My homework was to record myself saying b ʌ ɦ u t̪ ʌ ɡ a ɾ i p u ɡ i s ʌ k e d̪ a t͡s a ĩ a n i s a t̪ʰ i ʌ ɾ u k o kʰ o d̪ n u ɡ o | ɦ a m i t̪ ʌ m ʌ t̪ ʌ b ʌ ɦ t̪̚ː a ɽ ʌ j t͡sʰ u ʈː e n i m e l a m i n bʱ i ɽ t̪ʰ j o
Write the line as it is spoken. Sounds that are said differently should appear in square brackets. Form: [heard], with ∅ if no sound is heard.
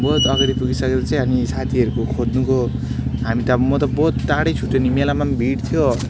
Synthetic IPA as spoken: b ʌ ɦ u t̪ ʌ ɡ a ɾ i p u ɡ i s ʌ k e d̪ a t͡s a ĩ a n i s a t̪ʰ i ʌ ɾ u k o kʰ o d̪ n u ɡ o | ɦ a m i t̪ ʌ m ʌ t̪ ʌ b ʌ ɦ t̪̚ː a ɽ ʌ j t͡sʰ u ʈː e n i m e l a m [a] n bʱ i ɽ t̪ʰ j o